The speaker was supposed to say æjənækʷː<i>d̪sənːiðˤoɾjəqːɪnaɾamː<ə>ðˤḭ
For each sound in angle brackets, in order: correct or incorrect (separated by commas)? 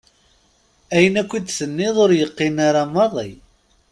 correct, incorrect